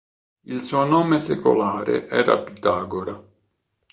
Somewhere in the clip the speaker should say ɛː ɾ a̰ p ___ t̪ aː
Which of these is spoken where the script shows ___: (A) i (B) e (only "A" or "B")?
A